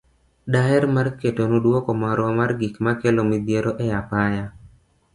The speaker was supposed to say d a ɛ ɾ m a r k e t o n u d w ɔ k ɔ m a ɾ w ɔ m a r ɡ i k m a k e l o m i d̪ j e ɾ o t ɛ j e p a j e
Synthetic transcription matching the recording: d a ɛ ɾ m a r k e t o n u d w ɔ k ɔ m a ɾ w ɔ m a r ɡ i k m a k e l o m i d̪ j e ɾ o ʔ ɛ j a p a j a